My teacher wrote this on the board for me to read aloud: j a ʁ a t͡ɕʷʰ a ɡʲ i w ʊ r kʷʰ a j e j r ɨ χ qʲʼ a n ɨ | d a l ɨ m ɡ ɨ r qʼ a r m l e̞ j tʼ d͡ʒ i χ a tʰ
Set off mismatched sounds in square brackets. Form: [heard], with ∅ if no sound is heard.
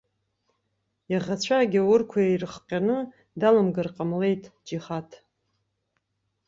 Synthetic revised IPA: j a ʁ a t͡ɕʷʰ a ɡʲ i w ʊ r kʷʰ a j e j r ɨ χ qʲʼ a n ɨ | d a l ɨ m ɡ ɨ r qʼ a [∅] m l e̞ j tʼ d͡ʒ i χ a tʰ